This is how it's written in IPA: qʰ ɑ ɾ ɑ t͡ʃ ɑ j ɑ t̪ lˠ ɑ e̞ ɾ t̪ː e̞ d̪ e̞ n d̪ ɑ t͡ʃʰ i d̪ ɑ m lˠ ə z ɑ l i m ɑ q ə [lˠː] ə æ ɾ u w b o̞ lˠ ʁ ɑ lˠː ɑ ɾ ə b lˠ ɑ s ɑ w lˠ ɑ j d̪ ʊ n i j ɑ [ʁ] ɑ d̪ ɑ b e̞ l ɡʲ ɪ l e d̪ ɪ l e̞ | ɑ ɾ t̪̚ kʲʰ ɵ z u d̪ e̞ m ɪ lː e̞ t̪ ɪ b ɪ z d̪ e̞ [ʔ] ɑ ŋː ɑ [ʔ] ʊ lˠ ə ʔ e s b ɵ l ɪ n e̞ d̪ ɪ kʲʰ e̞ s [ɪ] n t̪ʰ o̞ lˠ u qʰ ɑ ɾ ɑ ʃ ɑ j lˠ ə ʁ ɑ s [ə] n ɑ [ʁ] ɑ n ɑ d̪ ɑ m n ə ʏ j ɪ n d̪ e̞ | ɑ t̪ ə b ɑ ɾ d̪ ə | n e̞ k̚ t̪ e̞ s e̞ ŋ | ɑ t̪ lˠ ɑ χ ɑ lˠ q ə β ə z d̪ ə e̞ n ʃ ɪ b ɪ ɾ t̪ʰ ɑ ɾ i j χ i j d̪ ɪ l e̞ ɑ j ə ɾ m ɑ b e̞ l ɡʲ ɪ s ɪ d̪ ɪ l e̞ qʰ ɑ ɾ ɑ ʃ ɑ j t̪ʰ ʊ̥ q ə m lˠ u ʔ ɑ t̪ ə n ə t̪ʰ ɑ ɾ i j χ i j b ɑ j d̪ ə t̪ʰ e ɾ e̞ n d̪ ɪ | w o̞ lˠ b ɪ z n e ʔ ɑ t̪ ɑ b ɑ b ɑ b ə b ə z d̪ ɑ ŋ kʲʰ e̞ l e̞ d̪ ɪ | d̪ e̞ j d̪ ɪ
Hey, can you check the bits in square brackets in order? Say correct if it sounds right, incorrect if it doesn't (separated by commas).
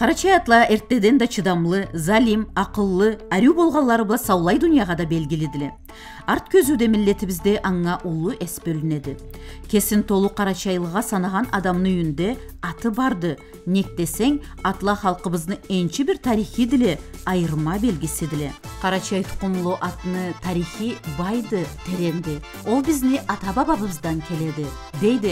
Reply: correct, correct, correct, correct, correct, incorrect, correct